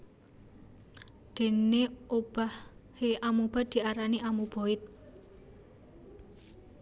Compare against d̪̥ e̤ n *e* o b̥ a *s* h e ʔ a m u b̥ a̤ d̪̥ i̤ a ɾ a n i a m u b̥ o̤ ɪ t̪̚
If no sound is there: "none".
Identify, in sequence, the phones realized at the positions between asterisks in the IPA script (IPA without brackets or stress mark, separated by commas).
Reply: e, h